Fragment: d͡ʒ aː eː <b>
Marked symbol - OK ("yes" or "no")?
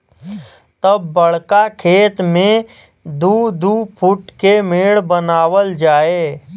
no